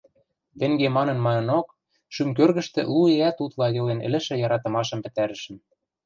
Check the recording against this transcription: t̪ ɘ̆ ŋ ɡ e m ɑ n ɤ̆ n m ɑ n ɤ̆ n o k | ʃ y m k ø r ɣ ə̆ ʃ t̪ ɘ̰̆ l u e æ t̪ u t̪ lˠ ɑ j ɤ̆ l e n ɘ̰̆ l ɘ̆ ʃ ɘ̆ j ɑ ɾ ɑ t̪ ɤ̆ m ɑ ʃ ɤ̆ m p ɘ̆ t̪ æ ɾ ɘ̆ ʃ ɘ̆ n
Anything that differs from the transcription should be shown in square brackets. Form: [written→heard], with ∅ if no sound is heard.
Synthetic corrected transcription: t̪ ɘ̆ ŋ ɡ e m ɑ n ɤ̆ n m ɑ n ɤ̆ n o k | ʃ y m k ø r ɣ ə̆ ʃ t̪ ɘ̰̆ l u e æ t̪ u t̪ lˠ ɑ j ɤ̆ l e n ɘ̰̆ l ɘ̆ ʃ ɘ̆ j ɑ ɾ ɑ t̪ ɤ̆ m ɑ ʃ ɤ̆ m p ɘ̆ t̪ æ ɾ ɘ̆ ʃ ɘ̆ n